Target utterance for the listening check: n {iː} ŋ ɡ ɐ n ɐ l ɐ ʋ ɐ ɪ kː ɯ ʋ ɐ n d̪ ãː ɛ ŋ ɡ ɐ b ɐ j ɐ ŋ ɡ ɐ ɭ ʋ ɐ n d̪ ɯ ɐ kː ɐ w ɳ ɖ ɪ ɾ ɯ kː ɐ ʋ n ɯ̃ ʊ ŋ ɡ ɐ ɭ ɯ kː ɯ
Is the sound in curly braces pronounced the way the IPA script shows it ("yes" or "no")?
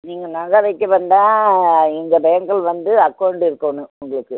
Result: yes